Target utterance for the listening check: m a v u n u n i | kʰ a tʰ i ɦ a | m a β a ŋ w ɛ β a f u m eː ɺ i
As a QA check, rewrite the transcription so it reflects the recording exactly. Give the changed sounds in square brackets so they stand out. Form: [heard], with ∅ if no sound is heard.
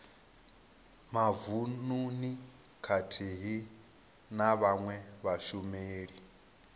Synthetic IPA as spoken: m a v u n u n i | kʰ a tʰ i ɦ [i] | [n] a β a ŋ w ɛ β a [ʃ] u m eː ɺ i